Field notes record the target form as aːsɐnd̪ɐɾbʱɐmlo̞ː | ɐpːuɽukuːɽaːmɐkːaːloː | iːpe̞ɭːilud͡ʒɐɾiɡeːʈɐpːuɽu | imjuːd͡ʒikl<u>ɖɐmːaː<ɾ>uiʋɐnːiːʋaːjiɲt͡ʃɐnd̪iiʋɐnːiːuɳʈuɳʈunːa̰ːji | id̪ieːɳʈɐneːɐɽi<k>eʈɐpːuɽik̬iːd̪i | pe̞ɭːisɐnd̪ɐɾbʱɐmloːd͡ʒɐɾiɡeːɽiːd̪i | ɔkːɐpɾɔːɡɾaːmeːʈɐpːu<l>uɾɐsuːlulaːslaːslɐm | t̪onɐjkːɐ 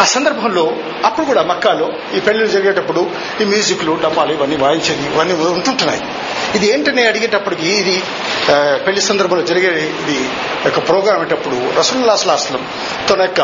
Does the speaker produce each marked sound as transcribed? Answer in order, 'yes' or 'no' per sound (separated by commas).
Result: yes, no, no, no